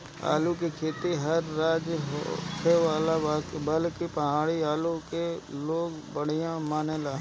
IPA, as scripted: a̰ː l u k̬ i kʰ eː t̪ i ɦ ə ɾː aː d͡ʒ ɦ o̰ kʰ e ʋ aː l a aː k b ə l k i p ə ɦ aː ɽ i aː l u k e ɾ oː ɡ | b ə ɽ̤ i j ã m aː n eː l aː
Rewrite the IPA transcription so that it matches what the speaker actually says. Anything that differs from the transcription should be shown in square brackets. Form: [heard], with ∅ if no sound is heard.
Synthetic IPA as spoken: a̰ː l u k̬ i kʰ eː t̪ i ɦ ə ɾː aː d͡ʒ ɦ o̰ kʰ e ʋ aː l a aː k b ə l k i p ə ɦ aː ɽ i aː l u k e [l] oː ɡ | b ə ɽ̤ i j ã m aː n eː l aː